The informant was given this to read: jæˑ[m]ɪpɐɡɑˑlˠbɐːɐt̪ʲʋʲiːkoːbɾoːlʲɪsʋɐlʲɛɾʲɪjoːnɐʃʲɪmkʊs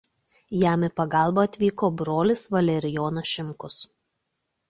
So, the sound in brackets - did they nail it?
yes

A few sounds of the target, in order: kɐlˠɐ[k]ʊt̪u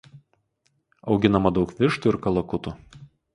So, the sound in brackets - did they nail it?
yes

